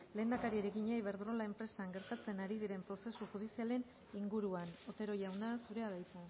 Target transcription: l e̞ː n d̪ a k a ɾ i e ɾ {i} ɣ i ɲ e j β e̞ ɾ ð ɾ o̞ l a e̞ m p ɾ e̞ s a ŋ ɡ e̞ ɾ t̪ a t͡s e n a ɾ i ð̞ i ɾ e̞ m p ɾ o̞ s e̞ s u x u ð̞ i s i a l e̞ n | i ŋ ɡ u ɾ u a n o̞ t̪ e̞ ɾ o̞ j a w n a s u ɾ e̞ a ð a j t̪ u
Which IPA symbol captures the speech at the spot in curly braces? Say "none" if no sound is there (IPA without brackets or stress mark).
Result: e